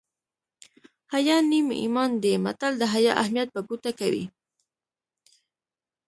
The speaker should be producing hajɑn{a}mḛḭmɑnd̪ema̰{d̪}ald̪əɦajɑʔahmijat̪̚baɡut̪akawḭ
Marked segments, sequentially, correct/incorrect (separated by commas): incorrect, incorrect